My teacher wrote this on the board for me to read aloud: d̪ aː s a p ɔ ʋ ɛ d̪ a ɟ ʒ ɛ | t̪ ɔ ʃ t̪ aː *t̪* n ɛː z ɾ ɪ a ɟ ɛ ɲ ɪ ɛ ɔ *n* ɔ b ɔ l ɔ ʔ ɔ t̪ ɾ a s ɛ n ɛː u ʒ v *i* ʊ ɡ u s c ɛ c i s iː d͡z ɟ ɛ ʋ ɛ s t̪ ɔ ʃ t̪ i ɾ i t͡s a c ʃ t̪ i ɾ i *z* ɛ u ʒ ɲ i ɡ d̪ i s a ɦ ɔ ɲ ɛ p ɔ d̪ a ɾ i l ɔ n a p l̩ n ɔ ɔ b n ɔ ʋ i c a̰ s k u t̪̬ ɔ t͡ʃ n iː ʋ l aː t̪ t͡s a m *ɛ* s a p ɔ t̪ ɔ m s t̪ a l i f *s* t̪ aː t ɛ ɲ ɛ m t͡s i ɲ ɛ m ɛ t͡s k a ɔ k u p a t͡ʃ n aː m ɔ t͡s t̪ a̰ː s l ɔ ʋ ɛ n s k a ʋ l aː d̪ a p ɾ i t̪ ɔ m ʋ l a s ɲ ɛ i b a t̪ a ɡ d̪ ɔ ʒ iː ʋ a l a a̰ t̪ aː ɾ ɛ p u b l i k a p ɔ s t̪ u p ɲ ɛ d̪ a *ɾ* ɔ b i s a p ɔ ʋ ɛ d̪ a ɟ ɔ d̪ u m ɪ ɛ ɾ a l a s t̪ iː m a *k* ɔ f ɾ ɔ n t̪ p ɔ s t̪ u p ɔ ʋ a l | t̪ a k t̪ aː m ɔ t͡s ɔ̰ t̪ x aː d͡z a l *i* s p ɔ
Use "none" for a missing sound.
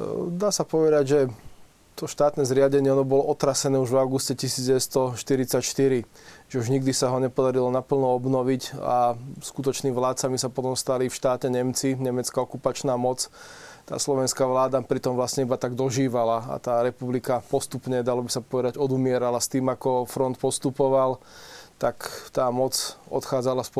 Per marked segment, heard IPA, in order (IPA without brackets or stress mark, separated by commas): t̪, n, a, ʒ, i, ʃ, l, k, a